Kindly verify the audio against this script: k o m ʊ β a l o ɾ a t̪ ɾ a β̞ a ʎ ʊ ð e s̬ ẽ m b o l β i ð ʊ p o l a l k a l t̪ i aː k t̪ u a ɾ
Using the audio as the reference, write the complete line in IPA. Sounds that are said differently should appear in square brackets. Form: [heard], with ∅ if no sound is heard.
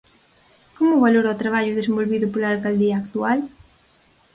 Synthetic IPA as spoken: k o m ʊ β a l o ɾ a t̪ ɾ a β̞ a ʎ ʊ ð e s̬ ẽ m b o l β i ð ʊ p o l a l k a l [d̪] i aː k t̪ u a [l]